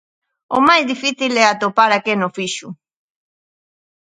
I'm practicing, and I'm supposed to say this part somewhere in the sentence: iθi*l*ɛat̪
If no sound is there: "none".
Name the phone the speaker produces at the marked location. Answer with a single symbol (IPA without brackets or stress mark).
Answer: l